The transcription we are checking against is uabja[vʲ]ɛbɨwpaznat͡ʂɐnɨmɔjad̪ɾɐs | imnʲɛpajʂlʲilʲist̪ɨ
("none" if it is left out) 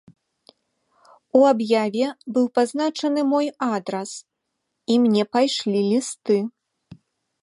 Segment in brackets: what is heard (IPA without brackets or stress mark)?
vʲ